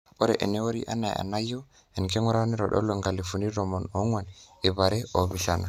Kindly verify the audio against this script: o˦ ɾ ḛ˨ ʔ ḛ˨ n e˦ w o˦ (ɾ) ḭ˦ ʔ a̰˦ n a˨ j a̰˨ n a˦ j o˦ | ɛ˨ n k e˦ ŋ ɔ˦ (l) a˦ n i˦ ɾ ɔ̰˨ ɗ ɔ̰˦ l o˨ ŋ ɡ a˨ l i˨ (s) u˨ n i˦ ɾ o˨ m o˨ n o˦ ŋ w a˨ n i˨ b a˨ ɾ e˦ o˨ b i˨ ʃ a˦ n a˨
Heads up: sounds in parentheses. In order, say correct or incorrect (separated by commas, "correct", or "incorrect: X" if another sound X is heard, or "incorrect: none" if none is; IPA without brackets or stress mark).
correct, incorrect: ɾ, incorrect: f